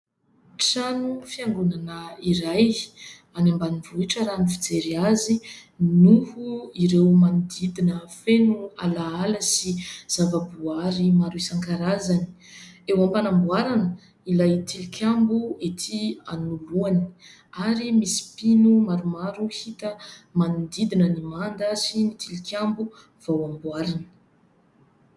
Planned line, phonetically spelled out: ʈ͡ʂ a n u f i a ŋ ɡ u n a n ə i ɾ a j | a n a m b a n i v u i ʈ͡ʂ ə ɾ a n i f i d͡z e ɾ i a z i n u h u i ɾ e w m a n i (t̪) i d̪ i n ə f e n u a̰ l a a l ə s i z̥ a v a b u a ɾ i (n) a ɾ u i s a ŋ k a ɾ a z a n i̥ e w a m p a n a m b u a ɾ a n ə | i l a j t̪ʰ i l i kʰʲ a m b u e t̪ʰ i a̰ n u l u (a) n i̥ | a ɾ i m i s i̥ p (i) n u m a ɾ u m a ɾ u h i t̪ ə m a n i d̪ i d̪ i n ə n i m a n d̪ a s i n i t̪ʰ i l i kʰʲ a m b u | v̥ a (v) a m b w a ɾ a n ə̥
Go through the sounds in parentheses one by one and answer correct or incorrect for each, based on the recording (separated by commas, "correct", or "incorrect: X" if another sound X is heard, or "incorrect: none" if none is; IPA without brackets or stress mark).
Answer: incorrect: d̪, incorrect: m, correct, correct, incorrect: w